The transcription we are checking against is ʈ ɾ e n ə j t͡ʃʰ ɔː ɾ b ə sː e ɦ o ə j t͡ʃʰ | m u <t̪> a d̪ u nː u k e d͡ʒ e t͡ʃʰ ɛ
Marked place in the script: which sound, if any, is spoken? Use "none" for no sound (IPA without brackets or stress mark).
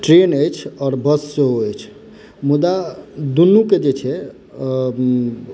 d̪